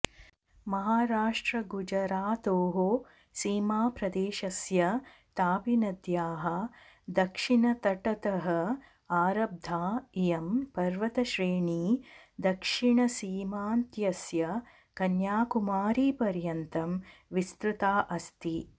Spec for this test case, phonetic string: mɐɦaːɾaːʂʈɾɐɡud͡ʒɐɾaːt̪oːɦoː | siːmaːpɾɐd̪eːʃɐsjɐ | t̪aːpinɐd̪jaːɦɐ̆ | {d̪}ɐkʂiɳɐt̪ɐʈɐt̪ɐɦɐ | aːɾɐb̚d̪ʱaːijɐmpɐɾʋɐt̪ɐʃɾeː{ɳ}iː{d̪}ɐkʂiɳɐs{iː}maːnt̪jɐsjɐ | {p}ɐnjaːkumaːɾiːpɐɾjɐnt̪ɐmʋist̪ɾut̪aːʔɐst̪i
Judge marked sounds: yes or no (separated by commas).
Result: yes, yes, yes, yes, no